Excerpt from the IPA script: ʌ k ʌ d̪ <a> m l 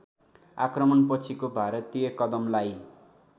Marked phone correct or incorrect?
incorrect